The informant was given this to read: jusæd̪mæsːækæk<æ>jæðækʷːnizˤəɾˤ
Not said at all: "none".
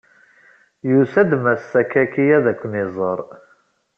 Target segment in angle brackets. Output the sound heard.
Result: i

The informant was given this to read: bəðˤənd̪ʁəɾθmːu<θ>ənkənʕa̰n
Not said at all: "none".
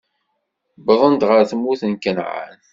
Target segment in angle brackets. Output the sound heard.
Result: θ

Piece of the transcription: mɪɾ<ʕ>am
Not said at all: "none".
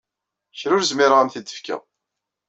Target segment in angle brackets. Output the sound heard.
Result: ʁ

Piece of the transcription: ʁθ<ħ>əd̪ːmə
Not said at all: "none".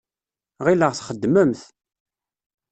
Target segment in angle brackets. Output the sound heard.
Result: χ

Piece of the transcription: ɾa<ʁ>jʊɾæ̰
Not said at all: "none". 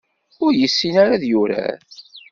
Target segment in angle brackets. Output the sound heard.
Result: ð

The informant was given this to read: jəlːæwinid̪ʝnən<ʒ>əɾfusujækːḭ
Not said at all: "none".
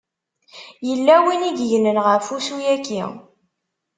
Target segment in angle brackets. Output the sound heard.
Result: ʁ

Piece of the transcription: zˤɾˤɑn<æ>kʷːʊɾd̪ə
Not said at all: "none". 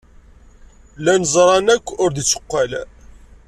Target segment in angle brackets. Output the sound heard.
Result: æ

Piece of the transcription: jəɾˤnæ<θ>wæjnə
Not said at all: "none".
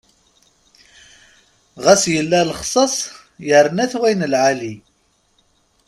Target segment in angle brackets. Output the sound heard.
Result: θ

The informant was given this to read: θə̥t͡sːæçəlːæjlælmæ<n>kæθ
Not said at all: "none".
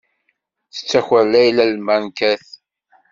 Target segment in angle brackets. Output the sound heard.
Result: n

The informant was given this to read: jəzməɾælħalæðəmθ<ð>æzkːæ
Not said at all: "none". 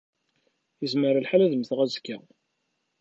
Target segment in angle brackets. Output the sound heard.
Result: ʁ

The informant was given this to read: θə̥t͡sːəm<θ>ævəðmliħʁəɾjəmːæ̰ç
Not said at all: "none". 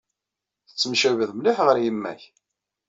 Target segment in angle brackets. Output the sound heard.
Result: ʃ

